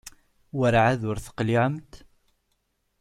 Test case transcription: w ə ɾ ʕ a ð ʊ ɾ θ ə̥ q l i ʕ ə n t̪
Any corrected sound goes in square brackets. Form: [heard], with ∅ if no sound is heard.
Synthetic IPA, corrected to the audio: w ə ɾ ʕ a ð ʊ ɾ θ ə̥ q l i ʕ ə [m] t̪